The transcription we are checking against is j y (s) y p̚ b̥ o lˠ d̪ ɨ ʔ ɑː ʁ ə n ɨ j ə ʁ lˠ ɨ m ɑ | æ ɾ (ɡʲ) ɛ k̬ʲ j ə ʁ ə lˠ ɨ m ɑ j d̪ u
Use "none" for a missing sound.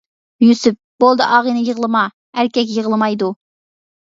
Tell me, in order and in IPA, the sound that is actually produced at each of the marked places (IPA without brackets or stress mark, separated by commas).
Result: s, kʲ